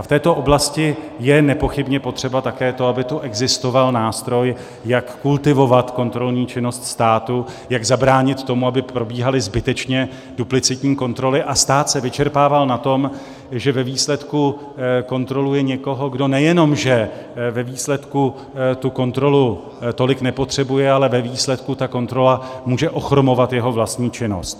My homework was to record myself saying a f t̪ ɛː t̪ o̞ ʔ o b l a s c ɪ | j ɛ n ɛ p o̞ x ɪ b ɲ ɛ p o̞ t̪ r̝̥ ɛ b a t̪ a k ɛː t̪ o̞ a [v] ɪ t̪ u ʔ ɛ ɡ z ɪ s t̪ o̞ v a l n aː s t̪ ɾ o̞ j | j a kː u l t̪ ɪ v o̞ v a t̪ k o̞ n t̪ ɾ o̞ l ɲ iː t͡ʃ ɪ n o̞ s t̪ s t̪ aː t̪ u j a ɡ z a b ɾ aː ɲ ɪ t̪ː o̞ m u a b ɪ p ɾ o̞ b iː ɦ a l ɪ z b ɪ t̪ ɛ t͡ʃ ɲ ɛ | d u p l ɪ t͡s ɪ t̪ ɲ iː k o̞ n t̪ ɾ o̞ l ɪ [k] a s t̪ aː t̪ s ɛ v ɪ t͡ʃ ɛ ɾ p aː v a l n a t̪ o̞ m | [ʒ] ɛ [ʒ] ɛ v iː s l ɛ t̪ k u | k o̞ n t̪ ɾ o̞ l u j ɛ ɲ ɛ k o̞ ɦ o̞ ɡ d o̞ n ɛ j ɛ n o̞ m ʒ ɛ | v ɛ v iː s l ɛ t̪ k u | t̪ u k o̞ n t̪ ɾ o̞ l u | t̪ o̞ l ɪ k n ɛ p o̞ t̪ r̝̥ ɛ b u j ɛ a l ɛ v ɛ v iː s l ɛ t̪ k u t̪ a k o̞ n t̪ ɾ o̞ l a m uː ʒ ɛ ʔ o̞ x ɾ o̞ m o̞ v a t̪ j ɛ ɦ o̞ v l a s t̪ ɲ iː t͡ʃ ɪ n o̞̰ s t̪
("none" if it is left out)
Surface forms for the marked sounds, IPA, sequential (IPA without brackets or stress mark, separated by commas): b, ʔ, ʒ, v